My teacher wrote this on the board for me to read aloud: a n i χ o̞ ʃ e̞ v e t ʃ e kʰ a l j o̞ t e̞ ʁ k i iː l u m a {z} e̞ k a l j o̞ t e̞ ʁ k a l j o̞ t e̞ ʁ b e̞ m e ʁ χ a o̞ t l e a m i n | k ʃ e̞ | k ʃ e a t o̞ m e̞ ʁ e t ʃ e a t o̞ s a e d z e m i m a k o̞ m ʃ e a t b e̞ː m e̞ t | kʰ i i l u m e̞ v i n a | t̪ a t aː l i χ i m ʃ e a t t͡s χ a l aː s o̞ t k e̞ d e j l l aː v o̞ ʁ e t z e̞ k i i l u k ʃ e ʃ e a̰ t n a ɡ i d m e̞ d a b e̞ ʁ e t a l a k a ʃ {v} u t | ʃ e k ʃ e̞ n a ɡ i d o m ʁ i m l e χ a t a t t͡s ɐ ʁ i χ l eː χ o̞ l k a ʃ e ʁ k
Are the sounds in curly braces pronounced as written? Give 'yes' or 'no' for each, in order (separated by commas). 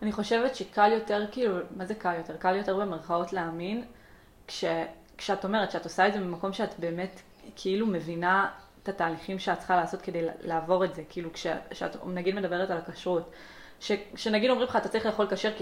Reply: yes, no